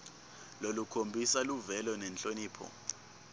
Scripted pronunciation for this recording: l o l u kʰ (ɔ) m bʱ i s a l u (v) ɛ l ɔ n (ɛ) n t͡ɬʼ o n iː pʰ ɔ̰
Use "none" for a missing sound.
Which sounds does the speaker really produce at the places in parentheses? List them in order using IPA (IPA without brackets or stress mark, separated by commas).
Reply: o, v, ɛ